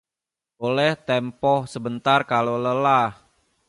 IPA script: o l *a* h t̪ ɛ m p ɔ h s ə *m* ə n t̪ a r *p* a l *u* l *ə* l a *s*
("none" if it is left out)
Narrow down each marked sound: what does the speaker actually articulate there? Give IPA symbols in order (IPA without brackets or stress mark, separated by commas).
ɛ, b, k, o, ə, h